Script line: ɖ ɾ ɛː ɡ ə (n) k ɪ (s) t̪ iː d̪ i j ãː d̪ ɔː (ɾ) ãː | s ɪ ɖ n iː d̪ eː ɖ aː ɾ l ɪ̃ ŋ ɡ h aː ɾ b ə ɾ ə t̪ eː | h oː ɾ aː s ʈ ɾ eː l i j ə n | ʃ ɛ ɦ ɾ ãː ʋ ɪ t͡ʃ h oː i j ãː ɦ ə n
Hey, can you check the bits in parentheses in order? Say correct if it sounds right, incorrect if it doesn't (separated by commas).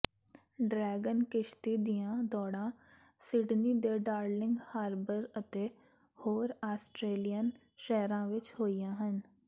correct, incorrect, incorrect